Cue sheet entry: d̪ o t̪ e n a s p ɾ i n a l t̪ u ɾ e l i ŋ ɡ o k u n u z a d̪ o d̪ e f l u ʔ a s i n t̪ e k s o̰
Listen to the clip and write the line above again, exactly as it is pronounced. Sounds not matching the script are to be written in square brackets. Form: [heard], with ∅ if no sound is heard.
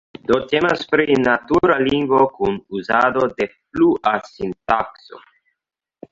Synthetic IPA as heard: d̪ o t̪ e [m] a s p ɾ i n a [∅] t̪ u ɾ [a] l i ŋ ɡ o k u n u z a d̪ o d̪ e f l u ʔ a s i n t̪ [a] k s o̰